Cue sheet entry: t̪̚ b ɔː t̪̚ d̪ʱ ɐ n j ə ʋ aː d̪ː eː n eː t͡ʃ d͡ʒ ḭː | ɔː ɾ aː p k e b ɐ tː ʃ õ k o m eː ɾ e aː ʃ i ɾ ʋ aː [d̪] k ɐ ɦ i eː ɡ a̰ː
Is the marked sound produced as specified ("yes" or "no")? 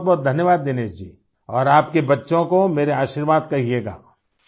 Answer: yes